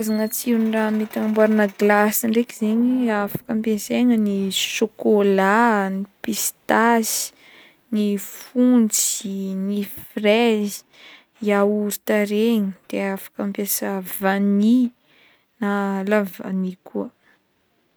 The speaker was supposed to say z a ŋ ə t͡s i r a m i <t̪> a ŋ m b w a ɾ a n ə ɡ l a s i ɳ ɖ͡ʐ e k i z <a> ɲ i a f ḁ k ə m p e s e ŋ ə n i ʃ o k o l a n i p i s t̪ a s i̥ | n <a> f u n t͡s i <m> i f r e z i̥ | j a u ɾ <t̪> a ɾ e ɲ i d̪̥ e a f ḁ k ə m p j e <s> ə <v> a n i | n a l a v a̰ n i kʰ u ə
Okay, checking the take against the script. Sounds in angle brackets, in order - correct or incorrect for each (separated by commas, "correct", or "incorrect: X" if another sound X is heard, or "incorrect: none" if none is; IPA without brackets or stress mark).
correct, incorrect: e, incorrect: i, incorrect: n, correct, correct, correct